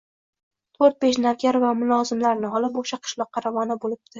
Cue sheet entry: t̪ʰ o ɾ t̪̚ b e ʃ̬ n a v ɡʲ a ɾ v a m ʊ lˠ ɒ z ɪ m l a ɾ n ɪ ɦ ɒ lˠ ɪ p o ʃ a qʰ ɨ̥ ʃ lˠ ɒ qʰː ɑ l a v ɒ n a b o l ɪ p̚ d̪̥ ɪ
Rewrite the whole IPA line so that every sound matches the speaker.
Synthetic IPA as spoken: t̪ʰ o ɾ t̪̚ b e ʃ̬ n a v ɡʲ a ɾ v a m ʊ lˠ ɒ z ɪ m l a ɾ n ɪ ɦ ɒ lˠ ɪ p o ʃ a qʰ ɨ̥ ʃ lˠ ɒ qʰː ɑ ɾ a v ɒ n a b o l ɪ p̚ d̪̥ ɪ

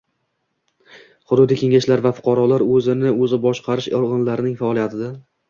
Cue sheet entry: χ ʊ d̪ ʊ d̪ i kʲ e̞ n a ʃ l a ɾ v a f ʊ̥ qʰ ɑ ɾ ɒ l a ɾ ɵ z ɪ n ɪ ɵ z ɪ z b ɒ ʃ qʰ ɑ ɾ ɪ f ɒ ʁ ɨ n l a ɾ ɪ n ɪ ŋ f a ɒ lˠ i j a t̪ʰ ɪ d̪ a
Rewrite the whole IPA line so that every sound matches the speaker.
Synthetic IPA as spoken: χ ʊ d̪ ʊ d̪ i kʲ e̞ ŋ a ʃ l a ɾ v a f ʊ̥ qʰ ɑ ɾ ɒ l a ɾ ɵ z ɪ n ɪ ɵ z ɪ b ɒ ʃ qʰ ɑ ɾ ɪ ʃ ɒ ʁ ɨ n l a ɾ ɪ n ɪ ŋ f a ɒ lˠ i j a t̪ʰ ɪ d̪ a

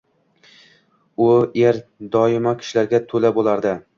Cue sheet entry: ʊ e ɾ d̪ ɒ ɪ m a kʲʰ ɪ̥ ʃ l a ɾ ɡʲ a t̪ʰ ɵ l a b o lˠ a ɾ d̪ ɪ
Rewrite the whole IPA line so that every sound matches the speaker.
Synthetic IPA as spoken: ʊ e ɾ d̪ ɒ ɪ m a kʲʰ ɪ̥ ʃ l a ɾ ɡʲ a t̪ʰ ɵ l a b o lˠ a ɾ d̪ ɪ

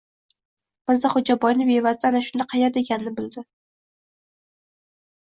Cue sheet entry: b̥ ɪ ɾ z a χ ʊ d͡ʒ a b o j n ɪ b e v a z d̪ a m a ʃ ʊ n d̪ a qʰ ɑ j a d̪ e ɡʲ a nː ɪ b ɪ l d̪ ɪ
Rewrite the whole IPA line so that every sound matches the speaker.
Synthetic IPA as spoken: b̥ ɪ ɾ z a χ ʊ d͡ʒ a b ɒ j n ɪ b e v a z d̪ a n a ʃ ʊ n d̪ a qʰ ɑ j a d̪ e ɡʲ a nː ɪ b ɪ l d̪ ɪ

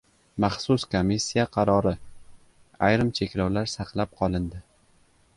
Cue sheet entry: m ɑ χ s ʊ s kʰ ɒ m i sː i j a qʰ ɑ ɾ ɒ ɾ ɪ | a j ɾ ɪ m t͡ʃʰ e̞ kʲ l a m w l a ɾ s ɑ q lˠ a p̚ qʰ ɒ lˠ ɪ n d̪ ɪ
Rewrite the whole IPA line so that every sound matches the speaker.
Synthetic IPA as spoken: m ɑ χ s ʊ s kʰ o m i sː i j a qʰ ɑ ɾ ɒ ɾ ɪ | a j ɾ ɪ m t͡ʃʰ e̞ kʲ l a w l a ɾ s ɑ q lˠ a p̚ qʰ ɒ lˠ ɪ n d̪ ɪ

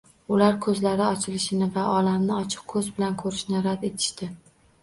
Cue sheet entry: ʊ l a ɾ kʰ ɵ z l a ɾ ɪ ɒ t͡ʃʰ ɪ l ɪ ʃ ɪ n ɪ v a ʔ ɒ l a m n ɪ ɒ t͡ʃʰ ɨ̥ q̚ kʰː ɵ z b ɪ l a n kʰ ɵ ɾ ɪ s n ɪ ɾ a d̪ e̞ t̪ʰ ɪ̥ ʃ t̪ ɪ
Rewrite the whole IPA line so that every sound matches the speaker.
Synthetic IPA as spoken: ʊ l a ɾ kʰ ɵ z l a ɾ ɪ ɒ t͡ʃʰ ɪ l ɪ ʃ ɪ n ɪ v a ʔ ɒ l a m n ɪ ɒ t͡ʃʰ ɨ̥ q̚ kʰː ɵ z b ɪ l a n kʰ ɵ ɾ ɪ ʃ n ɪ ɾ a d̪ e̞ t̪ʰ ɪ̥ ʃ t̪ ɪ

